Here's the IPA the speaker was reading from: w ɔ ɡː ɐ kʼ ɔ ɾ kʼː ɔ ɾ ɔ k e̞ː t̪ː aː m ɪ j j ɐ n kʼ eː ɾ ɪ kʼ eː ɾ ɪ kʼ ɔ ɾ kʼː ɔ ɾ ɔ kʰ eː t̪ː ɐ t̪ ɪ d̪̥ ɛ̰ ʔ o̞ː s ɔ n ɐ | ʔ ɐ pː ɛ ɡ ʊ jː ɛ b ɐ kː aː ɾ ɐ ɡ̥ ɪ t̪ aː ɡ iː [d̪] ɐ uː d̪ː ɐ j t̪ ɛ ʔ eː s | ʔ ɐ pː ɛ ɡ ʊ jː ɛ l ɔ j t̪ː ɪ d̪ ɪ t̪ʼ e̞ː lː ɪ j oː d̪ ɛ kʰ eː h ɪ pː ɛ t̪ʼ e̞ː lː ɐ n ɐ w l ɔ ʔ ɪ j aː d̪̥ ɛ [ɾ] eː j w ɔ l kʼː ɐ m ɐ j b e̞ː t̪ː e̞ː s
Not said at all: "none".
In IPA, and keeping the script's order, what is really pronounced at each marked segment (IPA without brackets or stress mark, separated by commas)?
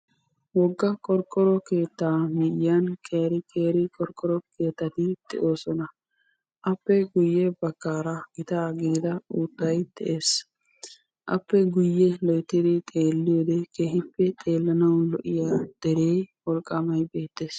d̪, ɾ